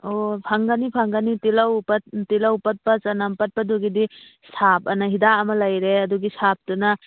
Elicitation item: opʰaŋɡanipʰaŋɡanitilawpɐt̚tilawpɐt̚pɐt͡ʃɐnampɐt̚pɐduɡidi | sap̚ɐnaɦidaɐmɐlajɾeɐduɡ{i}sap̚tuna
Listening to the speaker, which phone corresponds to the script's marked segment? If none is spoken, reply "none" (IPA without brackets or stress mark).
i